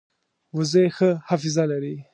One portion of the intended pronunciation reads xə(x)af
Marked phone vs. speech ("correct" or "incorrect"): incorrect